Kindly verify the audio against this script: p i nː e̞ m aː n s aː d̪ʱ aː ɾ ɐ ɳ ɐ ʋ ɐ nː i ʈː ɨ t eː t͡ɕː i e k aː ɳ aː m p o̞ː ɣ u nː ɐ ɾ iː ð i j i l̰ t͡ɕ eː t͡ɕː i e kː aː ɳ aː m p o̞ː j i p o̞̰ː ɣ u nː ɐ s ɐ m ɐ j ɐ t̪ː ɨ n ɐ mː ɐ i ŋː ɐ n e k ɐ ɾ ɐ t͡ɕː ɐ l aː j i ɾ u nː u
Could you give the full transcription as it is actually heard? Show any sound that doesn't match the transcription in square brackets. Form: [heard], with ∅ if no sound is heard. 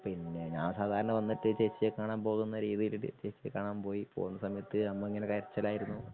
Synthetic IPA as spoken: p i nː e̞ [ɲ] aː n s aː d̪ʱ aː ɾ ɐ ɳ ɐ ʋ ɐ nː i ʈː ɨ [t͡ɕ] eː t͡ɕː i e k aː ɳ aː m p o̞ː ɣ u nː ɐ ɾ iː ð i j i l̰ t͡ɕ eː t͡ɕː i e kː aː ɳ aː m p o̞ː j i p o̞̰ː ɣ u nː ɐ s ɐ m ɐ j ɐ t̪ː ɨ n ɐ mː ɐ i ŋː ɐ n e k ɐ ɾ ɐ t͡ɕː ɐ l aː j i ɾ u nː u

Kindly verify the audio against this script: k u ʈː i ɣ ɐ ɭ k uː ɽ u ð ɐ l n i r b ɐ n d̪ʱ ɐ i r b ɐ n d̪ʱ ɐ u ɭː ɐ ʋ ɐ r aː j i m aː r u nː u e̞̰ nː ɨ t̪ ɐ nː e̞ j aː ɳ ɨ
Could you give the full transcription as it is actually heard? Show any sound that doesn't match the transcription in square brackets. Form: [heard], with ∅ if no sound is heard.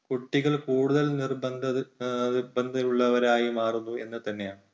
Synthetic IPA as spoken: k u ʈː i ɣ ɐ ɭ k uː ɽ u ð ɐ l n i r b ɐ n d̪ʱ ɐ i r b ɐ n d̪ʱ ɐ u ɭː ɐ ʋ ɐ [ɾ] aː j i m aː r u nː u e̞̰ nː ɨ t̪ ɐ nː e̞ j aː ɳ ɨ

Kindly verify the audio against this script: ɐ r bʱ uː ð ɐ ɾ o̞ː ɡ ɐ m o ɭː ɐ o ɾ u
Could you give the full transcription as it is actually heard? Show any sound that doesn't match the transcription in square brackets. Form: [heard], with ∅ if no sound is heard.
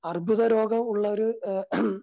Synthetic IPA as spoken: ɐ r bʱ [u] ð ɐ ɾ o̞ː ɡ ɐ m [u] ɭː ɐ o ɾ u

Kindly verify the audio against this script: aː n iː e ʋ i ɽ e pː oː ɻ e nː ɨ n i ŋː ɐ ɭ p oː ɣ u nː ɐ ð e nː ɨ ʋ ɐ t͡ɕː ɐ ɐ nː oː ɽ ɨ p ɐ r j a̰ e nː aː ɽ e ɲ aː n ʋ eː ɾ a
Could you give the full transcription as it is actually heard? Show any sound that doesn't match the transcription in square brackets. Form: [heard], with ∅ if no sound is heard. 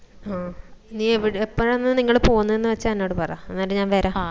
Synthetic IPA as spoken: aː n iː e ʋ i ɽ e pː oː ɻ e nː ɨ n i ŋː ɐ ɭ p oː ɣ u nː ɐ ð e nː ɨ ʋ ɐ t͡ɕː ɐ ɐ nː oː ɽ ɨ p ɐ r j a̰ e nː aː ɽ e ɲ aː n ʋ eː ɾ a

